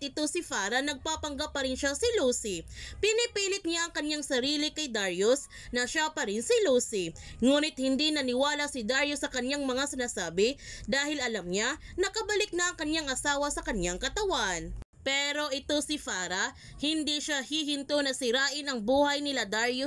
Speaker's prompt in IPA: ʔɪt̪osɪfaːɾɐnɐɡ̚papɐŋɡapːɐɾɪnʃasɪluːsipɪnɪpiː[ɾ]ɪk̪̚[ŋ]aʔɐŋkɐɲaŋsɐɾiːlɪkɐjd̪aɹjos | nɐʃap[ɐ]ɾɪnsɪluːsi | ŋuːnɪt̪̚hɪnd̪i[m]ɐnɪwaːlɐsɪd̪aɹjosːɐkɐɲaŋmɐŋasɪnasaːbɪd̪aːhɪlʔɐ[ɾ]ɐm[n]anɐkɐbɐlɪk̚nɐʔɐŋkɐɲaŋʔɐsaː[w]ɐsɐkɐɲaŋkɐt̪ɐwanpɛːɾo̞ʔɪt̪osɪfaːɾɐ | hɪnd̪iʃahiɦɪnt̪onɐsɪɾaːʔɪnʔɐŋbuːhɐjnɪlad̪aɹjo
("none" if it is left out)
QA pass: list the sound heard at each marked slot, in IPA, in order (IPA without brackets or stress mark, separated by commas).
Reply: l, ɲ, ɐ, n, l, ɲ, w